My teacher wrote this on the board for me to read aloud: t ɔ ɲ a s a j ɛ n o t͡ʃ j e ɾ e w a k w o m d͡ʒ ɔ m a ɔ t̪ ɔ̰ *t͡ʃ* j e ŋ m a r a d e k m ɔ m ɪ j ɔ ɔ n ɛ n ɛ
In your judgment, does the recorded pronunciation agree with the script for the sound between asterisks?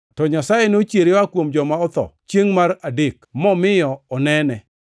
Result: yes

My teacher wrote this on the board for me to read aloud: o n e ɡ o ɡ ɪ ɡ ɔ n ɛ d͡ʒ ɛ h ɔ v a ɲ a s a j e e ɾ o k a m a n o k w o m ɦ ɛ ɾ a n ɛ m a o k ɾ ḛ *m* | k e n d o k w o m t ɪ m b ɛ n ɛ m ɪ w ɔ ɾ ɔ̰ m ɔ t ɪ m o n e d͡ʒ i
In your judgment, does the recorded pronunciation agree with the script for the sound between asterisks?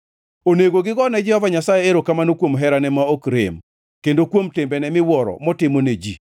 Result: yes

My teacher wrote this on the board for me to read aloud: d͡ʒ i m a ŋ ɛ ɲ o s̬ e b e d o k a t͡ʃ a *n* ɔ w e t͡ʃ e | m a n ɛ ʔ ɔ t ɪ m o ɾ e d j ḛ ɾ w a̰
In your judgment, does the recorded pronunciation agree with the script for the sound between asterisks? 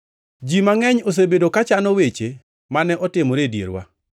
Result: yes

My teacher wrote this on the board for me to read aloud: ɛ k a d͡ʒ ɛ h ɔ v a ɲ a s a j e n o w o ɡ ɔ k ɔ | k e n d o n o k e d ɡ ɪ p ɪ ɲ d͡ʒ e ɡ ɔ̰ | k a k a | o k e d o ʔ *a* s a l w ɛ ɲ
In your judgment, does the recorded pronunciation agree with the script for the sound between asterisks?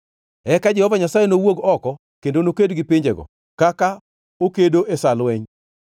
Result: no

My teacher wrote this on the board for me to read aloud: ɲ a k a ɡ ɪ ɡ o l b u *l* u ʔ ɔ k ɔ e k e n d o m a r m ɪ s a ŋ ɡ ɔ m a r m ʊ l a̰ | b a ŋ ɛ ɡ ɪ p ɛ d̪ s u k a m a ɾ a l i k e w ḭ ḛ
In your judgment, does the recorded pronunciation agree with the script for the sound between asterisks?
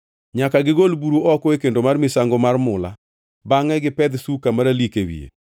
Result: no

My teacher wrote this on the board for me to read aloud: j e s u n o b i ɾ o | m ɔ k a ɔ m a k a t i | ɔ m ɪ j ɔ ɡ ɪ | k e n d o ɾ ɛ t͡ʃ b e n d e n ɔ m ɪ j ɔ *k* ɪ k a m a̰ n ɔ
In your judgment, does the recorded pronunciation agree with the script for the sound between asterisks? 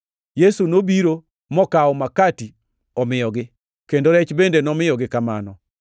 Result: no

